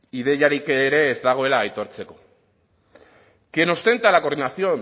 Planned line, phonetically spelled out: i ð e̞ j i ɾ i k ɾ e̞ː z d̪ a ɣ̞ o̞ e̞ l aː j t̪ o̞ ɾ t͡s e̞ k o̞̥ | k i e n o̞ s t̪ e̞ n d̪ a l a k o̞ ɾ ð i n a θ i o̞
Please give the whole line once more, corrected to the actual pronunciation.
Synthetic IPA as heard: i ð e̞ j a ɾ i k ɾ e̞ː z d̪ a ɣ̞ o̞ e̞ l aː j t̪ o̞ ɾ t͡s e̞ k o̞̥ | k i e n o̞ s t̪ e̞ n t̪ a l a k o̞ ɾ ð i n a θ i o̞